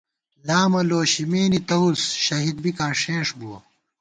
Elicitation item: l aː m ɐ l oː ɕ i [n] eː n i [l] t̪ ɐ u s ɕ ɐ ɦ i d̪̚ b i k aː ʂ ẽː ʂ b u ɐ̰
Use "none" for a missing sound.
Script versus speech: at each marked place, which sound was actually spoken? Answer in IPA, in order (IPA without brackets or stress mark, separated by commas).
m, none